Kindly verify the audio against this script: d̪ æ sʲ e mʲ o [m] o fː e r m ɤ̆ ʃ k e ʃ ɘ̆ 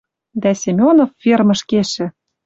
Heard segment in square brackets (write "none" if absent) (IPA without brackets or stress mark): n